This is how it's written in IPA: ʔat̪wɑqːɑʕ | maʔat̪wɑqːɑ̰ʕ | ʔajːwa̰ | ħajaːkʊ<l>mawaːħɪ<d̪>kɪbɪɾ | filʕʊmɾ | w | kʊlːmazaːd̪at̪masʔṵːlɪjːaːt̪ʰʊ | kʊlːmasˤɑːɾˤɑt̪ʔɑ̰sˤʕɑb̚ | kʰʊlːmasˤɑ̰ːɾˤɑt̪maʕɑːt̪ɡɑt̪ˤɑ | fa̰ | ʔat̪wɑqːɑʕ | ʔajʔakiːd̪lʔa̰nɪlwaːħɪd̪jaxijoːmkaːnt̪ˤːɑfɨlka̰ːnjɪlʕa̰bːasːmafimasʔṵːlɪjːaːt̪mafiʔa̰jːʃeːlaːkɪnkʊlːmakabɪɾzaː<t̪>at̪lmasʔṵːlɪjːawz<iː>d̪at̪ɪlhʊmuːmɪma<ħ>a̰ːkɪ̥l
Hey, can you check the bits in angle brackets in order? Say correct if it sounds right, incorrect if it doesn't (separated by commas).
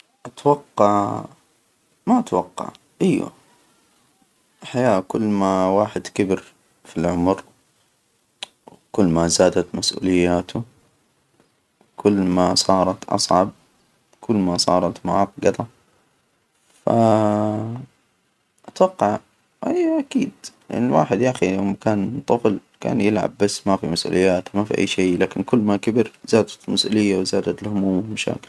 incorrect, correct, incorrect, incorrect, incorrect